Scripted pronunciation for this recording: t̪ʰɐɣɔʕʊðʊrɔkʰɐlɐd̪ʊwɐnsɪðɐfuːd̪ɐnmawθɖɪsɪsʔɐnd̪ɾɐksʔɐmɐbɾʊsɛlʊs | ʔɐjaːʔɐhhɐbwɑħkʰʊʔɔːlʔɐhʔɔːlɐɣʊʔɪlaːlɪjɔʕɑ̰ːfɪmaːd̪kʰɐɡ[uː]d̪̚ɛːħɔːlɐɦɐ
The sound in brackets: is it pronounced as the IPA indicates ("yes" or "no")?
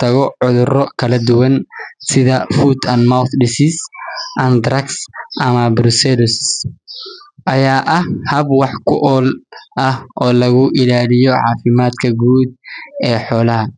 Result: yes